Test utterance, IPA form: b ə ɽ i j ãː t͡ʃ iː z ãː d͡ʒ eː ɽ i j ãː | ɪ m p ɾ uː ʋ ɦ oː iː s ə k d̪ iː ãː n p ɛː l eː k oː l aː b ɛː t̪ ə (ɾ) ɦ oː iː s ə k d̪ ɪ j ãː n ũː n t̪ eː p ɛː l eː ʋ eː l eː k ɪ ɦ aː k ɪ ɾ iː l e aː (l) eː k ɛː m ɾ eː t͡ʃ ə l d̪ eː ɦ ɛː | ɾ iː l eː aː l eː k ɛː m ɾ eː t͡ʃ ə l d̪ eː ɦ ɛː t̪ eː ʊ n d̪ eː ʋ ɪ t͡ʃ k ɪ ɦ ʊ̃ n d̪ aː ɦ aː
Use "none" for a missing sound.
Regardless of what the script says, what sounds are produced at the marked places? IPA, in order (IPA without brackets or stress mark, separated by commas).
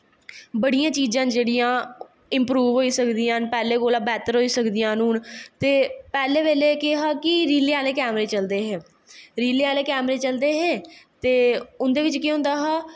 ɾ, l